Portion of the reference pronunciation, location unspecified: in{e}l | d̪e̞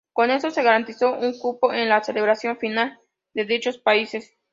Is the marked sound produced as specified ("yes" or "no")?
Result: no